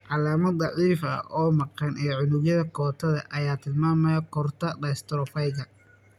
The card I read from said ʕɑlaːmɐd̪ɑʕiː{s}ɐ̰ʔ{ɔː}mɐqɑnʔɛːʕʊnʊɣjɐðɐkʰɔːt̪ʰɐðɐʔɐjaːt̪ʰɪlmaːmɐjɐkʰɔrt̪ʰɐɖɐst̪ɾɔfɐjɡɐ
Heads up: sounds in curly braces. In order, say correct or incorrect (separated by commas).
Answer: incorrect, correct